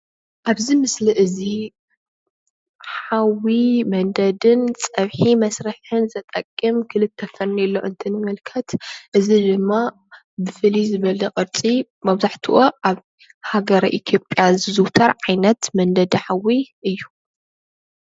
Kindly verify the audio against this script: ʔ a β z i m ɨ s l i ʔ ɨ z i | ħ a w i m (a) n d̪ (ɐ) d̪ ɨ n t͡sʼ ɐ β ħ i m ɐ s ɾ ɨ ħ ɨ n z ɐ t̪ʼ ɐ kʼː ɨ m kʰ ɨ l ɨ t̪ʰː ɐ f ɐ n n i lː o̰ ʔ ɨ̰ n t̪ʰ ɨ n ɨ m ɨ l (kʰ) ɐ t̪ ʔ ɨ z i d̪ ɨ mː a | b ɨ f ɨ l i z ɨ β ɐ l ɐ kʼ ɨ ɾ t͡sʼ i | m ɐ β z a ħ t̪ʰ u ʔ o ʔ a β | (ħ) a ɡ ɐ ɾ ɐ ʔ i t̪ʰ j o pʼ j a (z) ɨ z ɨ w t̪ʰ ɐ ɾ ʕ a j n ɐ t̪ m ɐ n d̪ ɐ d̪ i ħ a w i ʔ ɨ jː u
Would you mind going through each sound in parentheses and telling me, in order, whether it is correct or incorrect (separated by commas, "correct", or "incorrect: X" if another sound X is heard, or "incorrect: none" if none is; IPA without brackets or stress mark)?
incorrect: ɐ, correct, correct, incorrect: h, correct